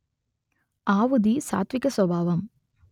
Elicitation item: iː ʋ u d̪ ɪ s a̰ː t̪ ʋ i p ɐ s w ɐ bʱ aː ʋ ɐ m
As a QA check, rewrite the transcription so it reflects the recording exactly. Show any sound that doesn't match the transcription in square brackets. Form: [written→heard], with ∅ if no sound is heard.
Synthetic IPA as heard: [iː→aː] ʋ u d̪ [ɪ→i] s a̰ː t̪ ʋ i [p→k] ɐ s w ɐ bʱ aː ʋ ɐ m